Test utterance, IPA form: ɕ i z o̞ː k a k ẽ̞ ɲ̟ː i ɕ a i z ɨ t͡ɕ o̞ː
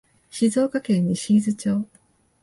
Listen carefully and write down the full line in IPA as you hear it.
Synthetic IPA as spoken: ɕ i z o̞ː k a k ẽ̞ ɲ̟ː i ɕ i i z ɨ t͡ɕ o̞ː